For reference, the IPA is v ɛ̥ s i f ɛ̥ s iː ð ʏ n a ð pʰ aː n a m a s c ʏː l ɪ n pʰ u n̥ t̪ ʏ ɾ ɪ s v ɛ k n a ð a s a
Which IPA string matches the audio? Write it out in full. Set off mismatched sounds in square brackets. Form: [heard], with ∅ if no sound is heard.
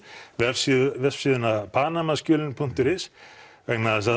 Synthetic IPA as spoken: v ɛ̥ s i [v] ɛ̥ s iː ð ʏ n a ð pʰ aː n a m a s c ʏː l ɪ n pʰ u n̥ t̪ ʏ ɾ ɪ s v ɛ k n a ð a s a